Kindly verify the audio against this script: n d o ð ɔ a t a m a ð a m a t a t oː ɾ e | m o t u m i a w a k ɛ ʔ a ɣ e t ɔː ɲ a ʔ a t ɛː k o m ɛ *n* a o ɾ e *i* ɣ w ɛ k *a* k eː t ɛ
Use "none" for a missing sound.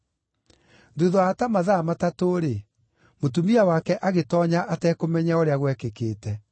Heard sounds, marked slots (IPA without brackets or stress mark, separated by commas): ɲ, a, e